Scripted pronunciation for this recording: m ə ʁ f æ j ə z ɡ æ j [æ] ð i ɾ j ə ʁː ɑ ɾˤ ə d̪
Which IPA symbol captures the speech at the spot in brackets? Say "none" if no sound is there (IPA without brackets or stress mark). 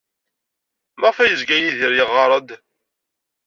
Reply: i